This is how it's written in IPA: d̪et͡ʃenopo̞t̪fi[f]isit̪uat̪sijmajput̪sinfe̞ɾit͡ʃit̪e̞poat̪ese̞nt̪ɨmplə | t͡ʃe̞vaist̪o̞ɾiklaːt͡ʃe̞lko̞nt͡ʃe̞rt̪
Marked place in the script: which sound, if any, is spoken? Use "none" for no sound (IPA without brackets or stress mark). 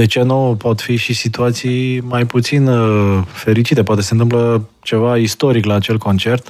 ʃ